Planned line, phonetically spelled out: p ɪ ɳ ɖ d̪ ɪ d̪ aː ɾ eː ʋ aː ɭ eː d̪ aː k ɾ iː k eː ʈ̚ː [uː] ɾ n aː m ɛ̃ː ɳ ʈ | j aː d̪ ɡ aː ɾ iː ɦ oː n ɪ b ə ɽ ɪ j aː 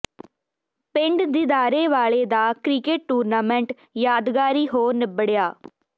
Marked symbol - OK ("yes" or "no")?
yes